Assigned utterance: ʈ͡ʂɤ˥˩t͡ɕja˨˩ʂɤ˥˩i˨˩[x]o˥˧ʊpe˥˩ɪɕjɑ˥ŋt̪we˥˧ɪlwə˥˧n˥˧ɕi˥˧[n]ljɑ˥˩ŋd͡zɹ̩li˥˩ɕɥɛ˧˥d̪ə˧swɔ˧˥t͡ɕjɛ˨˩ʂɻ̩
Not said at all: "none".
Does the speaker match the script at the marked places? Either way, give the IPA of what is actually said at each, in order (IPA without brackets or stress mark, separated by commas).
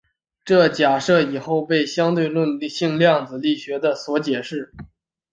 x, ŋ